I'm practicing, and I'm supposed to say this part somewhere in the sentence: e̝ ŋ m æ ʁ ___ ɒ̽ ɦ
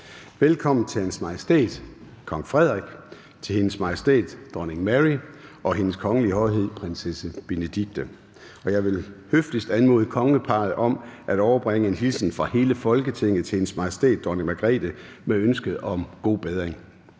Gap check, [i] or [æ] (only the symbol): i